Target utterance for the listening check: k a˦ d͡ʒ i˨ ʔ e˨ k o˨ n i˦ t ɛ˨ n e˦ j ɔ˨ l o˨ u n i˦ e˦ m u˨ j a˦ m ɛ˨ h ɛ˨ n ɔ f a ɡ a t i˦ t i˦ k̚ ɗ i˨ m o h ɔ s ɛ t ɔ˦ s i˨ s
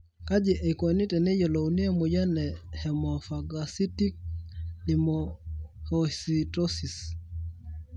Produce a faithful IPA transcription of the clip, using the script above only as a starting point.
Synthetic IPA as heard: k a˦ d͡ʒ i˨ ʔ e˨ k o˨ n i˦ t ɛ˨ n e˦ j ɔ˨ l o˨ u n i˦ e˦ m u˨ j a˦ n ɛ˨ h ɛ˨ m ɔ f a ɡ a s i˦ t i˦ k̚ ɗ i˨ m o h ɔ s i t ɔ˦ s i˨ s